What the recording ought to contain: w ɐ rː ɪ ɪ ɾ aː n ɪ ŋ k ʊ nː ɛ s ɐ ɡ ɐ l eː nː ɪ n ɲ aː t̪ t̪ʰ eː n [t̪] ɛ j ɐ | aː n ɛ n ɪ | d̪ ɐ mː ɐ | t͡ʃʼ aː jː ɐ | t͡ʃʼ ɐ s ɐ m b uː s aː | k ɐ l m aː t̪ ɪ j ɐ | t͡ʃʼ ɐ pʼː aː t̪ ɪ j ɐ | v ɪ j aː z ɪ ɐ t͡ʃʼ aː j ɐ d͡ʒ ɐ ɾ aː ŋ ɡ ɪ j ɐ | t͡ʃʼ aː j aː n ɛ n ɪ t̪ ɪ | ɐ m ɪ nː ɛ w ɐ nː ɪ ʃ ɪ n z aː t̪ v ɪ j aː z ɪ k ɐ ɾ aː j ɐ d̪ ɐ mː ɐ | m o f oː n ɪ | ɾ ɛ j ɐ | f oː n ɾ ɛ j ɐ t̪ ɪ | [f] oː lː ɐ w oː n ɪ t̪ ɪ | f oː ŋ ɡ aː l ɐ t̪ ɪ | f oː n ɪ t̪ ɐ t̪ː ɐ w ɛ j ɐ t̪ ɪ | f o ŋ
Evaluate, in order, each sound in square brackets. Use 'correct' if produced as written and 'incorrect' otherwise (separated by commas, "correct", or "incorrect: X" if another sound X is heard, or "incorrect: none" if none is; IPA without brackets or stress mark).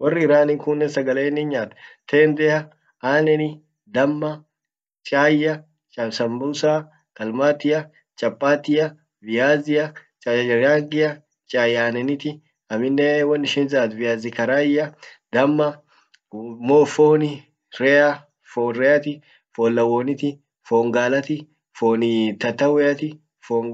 incorrect: d̪, correct